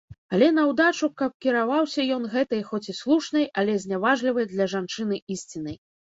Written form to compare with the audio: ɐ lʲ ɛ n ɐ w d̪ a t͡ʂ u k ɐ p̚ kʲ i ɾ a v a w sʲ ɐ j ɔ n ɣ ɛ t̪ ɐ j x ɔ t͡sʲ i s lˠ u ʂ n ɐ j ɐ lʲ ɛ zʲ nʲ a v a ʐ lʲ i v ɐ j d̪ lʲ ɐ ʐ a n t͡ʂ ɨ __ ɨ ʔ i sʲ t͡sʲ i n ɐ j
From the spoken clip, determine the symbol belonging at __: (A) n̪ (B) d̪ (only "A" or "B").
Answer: A